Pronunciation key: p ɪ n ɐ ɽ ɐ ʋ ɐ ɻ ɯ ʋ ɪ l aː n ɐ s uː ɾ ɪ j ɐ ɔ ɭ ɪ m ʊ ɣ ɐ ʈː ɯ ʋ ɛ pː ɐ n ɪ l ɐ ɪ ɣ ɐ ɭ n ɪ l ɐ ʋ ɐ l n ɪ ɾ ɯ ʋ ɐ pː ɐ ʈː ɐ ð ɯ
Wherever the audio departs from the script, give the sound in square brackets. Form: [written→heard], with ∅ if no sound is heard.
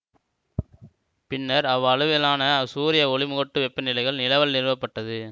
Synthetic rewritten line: p ɪ [n→nː] ɐ [ɽ→ɾ] ɐ ʋ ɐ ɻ ɯ ʋ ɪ l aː n ɐ s uː ɾ ɪ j ɐ ɔ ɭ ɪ m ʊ ɣ ɐ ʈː ɯ ʋ ɛ pː ɐ n ɪ l ɐ ɪ ɣ ɐ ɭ n ɪ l ɐ ʋ ɐ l n ɪ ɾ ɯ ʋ ɐ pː ɐ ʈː ɐ ð ɯ